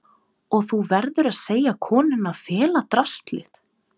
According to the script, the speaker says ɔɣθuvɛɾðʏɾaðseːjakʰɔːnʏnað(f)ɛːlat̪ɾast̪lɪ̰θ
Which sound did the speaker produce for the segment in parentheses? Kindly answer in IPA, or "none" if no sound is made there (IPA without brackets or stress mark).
f